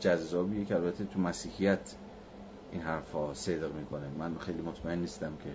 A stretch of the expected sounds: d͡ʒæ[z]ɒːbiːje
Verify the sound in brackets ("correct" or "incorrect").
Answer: incorrect